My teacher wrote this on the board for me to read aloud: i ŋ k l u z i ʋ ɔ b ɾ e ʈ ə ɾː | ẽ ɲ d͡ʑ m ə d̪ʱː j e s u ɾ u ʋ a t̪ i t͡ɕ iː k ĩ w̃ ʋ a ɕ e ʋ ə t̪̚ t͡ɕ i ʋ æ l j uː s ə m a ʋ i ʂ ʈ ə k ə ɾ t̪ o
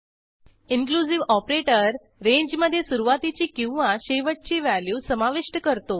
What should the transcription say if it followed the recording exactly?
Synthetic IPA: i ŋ k l u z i ʋ ɔ p ɾ e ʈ ə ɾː | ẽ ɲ d͡ʑ m ə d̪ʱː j e s u ɾ u ʋ a t̪ i t͡ɕ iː k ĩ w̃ ʋ a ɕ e ʋ ə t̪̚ t͡ɕ i ʋ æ l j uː s ə m a ʋ i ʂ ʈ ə k ə ɾ t̪ o